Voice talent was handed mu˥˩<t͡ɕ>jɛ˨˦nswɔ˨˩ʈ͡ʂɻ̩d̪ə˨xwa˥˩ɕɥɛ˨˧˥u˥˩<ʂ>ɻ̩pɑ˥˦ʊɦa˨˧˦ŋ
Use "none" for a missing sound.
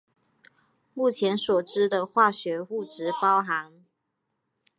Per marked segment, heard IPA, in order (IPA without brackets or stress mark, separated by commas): t͡ɕʰ, ʈ͡ʂ